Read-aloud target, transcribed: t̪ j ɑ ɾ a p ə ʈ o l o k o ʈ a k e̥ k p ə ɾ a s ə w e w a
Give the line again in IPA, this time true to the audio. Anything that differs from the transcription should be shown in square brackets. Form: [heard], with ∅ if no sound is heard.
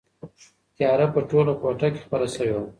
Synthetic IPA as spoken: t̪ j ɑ ɾ a p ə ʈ o l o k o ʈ a k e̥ [x] p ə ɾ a s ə w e w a